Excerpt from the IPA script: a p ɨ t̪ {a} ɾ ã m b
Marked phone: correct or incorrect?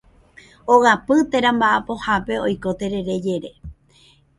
incorrect